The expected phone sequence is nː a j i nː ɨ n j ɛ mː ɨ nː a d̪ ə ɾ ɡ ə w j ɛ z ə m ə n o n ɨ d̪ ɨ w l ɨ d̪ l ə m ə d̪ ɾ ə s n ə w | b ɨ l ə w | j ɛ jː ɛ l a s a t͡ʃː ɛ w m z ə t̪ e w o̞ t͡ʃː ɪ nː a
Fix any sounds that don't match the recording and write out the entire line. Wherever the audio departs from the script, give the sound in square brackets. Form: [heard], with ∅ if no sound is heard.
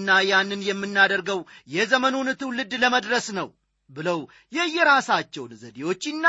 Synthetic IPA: nː a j [a] nː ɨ n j ɛ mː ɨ nː a d̪ ə ɾ ɡ ə w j ɛ z ə m ə n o n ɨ [t̪] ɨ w l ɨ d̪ l ə m ə d̪ ɾ ə s n ə w | b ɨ l ə w | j ɛ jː ɛ [ɾ] a s a t͡ʃː ɛ w [n] z ə [d̪] e w o̞ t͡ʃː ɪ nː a